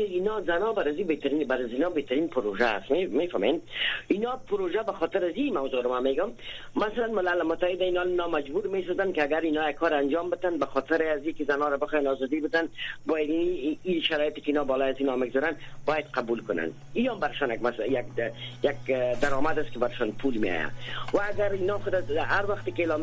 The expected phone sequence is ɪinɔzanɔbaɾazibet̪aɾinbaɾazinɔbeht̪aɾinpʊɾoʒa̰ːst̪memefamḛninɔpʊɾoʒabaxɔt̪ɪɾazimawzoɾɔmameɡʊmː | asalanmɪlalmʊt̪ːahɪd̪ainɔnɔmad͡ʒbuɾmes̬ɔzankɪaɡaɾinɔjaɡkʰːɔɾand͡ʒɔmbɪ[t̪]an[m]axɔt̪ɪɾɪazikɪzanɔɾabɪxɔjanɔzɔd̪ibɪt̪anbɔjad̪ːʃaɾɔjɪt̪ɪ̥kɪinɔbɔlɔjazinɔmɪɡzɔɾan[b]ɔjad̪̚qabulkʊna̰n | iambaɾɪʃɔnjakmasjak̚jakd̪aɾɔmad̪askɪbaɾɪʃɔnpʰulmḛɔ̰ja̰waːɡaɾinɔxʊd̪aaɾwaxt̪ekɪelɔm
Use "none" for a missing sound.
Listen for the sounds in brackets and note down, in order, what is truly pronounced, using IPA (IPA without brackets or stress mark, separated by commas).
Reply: t̪, b, b